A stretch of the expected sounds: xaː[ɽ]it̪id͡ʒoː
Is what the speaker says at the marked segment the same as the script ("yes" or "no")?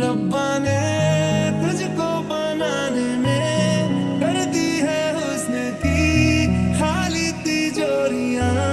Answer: no